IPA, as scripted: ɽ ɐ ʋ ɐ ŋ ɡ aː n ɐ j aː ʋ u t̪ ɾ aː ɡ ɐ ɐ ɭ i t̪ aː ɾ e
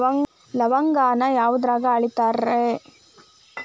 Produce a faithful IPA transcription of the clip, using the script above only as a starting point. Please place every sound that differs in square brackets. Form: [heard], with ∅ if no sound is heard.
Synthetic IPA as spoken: [l] ɐ ʋ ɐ ŋ ɡ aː n ɐ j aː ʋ u [d̪] ɾ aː ɡ ɐ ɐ ɭ i t̪ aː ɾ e